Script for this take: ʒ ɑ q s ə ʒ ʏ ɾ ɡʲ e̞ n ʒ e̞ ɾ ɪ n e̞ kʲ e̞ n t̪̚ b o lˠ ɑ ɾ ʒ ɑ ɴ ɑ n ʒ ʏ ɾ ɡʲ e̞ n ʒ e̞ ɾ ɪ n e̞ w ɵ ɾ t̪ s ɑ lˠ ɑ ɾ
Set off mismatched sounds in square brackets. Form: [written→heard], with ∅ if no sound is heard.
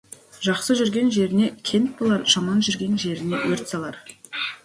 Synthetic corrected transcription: ʒ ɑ q s ə ʒ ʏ ɾ ɡʲ e̞ n ʒ e̞ ɾ ɪ n e̞ [kʲ→kʲʰ] e̞ n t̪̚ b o lˠ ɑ ɾ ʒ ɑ [ɴ→m] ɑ n ʒ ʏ ɾ ɡʲ e̞ n ʒ e̞ ɾ ɪ n e̞ w ɵ ɾ t̪ s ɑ lˠ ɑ ɾ

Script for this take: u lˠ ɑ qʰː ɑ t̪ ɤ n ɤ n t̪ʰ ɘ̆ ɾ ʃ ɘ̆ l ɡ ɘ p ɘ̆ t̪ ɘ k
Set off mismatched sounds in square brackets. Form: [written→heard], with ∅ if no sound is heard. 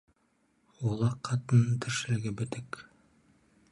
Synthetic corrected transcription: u lˠ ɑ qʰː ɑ t̪ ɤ n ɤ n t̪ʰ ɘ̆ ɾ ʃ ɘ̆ l ɡ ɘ [p→b] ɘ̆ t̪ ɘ k

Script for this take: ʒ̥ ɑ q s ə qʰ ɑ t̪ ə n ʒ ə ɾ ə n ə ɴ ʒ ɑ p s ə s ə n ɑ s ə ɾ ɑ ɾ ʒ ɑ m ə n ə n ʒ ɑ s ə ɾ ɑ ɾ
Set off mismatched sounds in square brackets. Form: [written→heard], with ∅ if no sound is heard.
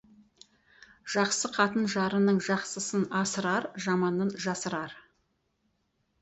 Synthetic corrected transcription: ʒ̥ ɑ q s ə qʰ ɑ t̪ ə n ʒ [ə→ɑ] ɾ ə n ə ɴ ʒ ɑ [p→q] s ə s ə n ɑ s ə ɾ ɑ ɾ ʒ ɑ m [ə→ɑ] n ə n ʒ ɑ s ə ɾ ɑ ɾ

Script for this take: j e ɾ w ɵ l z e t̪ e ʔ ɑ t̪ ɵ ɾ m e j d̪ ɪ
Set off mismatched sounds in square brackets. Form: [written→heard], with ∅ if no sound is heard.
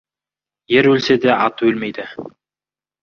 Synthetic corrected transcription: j e ɾ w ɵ l [z→s] e [t̪→d̪] e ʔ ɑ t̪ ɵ [ɾ→l] m e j d̪ ɪ

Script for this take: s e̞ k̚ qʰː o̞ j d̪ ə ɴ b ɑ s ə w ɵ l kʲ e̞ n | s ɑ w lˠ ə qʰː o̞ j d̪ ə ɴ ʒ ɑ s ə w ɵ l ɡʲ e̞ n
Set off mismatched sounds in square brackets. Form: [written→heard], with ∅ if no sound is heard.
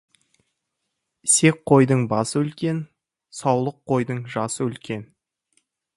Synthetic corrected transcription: s e̞ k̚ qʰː o̞ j d̪ ə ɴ b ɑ s ə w ɵ l kʲ e̞ n | s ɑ w lˠ ə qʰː o̞ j d̪ ə ɴ ʒ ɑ s ə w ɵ l [ɡʲ→kʲ] e̞ n

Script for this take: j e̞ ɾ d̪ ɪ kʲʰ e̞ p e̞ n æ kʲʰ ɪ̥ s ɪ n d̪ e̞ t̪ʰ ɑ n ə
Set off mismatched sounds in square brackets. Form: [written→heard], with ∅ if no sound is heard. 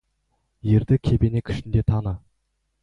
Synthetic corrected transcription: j e̞ ɾ d̪ ɪ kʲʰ e̞ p e̞ n [æ→e] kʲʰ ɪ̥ [s→ʃ] ɪ n d̪ e̞ t̪ʰ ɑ n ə

